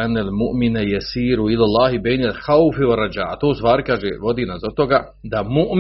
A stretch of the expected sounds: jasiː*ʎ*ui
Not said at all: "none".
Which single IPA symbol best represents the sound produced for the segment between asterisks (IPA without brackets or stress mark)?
ɾ